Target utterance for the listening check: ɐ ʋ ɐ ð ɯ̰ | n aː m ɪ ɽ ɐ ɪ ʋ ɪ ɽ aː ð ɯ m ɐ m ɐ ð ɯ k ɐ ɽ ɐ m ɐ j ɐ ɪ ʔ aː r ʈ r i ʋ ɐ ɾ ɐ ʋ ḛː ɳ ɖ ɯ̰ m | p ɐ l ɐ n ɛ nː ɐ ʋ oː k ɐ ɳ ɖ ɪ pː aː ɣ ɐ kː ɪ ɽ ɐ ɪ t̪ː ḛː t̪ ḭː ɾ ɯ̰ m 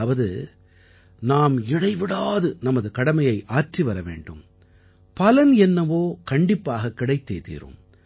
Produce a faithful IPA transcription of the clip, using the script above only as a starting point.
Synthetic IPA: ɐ ʋ ɐ ð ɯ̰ | n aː m ɪ ɽ ɐ ɪ ʋ ɪ ɽ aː ð ɯ n ɐ m ɐ ð ɯ k ɐ ɽ ɐ m ɐ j ɐ ɪ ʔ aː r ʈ r i ʋ ɐ ɾ ɐ ʋ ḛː ɳ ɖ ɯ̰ m | p ɐ l ɐ n ɛ nː ɐ ʋ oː k ɐ ɳ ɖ ɪ pː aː ɣ ɐ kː ɪ ɽ ɐ ɪ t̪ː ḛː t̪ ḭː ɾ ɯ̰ m